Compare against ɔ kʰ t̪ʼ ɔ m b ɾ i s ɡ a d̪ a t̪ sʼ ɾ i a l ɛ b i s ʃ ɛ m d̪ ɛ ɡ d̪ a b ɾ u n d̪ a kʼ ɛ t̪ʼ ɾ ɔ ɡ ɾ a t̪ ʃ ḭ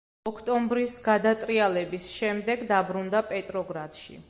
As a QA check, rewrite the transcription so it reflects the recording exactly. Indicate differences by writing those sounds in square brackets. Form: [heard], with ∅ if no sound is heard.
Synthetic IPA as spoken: ɔ kʰ t̪ʼ ɔ m b ɾ i s ɡ a d̪ a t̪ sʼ ɾ i a l ɛ b i s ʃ ɛ m d̪ ɛ ɡ d̪ a b ɾ u n d̪ a [pʼ] ɛ t̪ʼ ɾ ɔ ɡ ɾ a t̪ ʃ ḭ